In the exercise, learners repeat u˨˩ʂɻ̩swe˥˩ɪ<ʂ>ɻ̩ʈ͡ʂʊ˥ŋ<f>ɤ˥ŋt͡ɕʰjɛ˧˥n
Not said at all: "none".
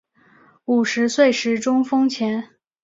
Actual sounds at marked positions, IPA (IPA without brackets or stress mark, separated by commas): ʂ, f